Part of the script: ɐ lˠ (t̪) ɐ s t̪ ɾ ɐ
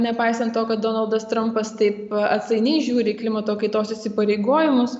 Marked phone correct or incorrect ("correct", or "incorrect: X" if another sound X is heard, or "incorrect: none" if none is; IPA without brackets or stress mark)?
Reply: incorrect: d̪